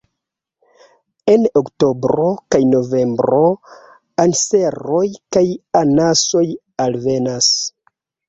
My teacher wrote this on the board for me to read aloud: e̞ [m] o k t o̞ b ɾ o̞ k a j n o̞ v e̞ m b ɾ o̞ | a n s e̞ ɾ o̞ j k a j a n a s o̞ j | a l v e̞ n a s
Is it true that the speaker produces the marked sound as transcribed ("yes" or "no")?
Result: no